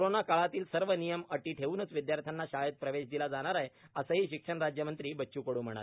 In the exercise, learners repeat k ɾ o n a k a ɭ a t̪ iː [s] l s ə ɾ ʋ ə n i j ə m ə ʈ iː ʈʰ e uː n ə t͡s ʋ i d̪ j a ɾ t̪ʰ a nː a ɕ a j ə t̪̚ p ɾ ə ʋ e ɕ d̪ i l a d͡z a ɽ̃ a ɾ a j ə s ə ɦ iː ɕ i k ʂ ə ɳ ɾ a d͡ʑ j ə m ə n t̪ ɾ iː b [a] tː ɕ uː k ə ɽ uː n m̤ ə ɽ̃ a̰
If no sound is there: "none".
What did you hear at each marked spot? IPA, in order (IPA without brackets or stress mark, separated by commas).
none, ə